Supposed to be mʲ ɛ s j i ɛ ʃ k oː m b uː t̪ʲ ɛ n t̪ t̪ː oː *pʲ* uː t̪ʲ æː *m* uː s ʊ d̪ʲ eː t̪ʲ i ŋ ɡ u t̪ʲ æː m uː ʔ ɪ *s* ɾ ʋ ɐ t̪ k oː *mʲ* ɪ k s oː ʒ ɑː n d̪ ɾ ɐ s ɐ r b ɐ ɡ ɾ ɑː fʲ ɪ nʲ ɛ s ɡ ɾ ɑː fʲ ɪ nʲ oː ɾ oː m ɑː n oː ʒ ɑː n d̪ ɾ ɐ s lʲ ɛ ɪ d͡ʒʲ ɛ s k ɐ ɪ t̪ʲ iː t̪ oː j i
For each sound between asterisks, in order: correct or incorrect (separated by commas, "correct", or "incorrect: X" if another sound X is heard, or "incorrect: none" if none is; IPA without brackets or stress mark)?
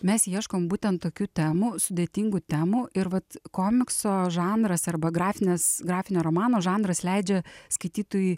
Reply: incorrect: kʲ, correct, incorrect: none, correct